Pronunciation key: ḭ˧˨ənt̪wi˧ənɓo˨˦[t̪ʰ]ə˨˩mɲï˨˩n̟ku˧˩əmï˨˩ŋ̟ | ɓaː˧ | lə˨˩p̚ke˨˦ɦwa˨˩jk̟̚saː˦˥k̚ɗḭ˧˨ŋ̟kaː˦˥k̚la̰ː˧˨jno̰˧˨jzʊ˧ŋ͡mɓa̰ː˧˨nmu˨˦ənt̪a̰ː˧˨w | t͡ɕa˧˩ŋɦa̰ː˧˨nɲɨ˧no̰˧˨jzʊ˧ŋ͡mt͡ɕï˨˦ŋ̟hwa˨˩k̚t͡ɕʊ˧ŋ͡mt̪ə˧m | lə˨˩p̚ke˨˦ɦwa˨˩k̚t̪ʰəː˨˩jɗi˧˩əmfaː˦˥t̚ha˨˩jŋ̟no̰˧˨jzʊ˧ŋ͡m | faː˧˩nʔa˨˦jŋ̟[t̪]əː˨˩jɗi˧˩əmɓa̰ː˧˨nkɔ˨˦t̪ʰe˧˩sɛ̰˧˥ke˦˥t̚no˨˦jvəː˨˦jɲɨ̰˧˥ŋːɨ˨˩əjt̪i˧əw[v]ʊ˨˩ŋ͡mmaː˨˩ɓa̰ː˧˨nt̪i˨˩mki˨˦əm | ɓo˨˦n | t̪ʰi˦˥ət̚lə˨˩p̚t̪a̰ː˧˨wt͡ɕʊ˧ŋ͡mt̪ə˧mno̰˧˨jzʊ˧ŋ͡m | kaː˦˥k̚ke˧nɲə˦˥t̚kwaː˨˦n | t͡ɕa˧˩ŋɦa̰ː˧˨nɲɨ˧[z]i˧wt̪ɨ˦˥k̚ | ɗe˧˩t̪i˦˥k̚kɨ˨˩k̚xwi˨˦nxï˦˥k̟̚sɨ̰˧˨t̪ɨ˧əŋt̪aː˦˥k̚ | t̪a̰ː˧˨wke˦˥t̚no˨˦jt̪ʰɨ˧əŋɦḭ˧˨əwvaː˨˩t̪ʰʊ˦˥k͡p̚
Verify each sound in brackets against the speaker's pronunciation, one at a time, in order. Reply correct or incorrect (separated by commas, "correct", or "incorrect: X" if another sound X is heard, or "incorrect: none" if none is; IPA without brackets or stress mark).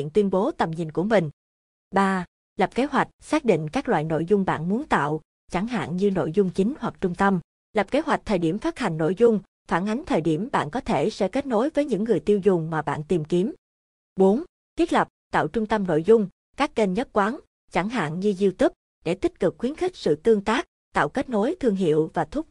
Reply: incorrect: t̪, incorrect: t̪ʰ, incorrect: z, correct